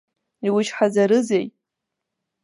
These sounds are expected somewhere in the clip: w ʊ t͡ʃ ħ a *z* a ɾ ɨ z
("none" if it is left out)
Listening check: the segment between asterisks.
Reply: z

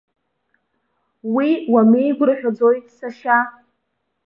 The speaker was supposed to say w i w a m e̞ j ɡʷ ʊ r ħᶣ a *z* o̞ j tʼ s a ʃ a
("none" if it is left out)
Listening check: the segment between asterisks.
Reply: d͡z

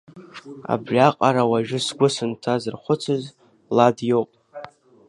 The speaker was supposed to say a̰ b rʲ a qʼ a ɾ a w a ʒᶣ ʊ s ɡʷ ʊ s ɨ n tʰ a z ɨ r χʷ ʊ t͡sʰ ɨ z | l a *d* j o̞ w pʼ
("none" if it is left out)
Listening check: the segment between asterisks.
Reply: d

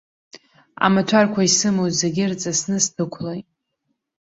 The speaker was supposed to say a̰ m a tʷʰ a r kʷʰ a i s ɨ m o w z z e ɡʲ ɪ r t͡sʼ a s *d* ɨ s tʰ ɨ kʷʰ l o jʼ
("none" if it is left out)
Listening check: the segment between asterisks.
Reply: n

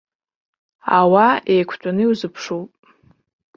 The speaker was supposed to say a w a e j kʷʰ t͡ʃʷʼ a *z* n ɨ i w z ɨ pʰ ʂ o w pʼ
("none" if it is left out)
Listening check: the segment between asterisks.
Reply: none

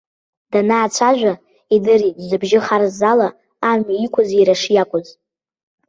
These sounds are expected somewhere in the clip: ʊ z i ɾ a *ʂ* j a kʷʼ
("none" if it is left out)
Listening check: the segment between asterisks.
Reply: ʂ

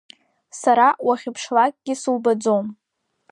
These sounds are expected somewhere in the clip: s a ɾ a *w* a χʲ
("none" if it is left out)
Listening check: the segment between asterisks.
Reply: w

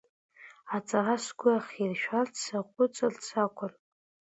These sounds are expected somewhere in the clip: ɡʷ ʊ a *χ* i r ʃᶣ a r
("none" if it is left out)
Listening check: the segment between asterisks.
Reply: χ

